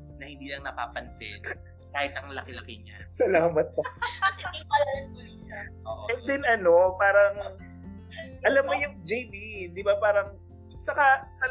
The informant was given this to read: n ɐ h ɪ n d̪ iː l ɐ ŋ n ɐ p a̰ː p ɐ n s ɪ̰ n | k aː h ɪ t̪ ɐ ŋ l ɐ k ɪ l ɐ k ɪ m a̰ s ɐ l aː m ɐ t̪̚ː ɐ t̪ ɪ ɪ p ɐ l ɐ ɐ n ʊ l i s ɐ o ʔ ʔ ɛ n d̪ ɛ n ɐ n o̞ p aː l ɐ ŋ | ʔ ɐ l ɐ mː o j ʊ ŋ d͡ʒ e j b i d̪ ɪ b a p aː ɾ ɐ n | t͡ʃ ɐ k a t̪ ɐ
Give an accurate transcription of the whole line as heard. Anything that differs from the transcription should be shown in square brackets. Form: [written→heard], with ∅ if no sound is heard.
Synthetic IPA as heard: n ɐ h ɪ n d̪ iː l ɐ ŋ n ɐ p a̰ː p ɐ n s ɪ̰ n | k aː h ɪ t̪ ɐ ŋ l ɐ k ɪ l ɐ k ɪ [m→ɲ] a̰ s ɐ l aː m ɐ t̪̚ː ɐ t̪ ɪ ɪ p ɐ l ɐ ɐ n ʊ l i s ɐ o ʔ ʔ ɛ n d̪ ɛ n ɐ n o̞ p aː [l→ɾ] ɐ ŋ | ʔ ɐ l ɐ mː o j ʊ ŋ d͡ʒ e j b i d̪ ɪ b a p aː ɾ ɐ [n→ŋ] | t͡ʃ ɐ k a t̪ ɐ